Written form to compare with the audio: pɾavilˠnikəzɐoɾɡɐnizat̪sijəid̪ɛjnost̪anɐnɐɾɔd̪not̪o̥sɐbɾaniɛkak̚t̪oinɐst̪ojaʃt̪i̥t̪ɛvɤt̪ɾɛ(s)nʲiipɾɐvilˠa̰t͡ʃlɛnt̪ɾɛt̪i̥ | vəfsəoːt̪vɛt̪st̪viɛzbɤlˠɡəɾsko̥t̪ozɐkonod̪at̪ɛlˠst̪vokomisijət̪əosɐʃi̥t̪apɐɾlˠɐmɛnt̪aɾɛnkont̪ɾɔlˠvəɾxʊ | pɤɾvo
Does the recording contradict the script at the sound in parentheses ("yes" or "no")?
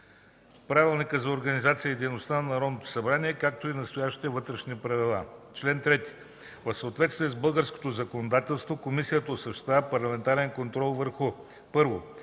yes